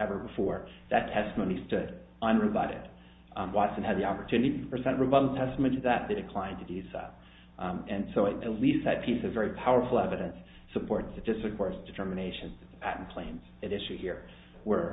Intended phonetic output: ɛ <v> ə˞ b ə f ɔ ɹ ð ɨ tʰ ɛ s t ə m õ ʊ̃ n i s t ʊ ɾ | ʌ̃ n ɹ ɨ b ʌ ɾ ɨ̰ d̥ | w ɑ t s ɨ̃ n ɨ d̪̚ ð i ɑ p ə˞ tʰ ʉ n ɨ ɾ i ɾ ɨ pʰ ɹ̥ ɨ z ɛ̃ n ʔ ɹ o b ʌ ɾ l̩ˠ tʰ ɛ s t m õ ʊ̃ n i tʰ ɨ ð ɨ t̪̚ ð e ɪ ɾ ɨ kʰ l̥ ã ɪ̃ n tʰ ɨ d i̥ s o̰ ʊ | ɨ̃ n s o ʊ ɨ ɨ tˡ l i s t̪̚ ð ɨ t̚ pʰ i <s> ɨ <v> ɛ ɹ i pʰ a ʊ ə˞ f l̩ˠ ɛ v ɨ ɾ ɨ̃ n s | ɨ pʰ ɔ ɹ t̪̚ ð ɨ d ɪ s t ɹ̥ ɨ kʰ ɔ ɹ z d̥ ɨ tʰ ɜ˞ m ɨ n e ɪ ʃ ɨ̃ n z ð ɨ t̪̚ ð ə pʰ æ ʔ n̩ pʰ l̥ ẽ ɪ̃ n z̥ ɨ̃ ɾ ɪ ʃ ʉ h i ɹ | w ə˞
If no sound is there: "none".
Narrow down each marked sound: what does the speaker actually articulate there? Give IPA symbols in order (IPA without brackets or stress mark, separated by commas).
v, s, v